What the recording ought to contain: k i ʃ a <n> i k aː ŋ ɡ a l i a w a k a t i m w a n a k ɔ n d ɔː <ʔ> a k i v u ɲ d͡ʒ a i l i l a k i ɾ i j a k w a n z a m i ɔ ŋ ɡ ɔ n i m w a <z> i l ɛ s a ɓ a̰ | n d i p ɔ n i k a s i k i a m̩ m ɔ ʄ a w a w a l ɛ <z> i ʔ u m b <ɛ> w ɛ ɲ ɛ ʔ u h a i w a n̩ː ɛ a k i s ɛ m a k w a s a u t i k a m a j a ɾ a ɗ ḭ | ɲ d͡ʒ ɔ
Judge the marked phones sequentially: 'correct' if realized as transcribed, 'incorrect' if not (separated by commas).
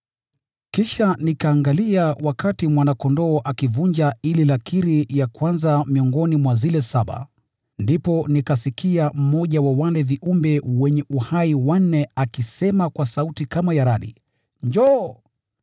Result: correct, correct, correct, incorrect, correct